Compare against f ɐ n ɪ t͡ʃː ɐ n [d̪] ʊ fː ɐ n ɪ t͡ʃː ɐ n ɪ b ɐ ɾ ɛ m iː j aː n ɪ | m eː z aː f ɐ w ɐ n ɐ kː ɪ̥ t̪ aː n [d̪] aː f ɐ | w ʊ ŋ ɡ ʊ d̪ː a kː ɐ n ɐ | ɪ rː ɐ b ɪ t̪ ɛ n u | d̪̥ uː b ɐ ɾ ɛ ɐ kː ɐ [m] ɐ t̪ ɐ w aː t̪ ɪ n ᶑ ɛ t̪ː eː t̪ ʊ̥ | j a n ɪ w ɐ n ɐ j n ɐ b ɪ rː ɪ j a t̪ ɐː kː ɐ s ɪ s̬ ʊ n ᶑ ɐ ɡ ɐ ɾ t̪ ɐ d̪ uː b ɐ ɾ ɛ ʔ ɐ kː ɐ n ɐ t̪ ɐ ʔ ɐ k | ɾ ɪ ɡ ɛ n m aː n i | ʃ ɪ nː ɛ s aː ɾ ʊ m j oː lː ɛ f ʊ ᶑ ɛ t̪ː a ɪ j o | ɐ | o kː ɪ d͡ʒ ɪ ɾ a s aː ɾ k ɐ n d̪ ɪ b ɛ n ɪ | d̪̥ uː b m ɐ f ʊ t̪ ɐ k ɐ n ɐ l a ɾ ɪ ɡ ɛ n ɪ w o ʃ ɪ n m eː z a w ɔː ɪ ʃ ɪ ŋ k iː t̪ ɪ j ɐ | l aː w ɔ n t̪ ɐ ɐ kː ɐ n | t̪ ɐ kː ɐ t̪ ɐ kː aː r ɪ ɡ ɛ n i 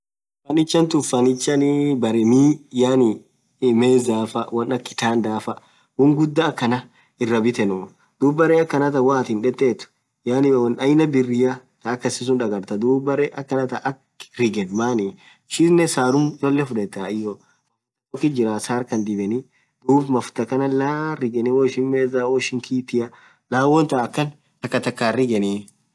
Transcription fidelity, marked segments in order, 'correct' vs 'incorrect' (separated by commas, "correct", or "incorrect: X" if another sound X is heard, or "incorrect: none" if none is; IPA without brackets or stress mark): incorrect: t̪, correct, incorrect: n